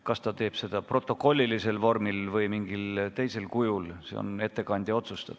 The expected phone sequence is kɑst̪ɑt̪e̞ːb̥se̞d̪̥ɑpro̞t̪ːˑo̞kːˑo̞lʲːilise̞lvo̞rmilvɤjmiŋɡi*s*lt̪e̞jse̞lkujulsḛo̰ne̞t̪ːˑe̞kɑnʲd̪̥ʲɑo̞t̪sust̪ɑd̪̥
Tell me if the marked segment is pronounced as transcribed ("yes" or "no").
no